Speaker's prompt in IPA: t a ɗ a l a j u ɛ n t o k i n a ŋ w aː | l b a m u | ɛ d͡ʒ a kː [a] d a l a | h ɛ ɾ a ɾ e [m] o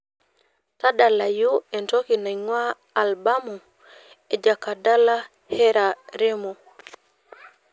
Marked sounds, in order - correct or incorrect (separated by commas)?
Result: correct, correct